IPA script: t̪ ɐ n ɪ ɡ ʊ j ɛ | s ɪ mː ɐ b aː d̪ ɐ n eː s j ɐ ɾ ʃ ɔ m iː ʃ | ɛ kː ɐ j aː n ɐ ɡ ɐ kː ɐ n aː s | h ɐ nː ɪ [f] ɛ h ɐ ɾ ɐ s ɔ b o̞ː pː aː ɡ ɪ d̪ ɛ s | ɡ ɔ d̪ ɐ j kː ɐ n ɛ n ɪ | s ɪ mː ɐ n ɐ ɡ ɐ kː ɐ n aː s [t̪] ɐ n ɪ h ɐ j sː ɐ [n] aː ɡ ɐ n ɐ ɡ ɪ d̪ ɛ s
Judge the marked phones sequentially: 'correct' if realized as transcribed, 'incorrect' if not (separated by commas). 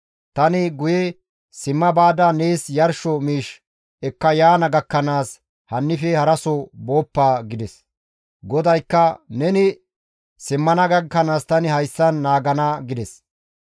correct, correct, incorrect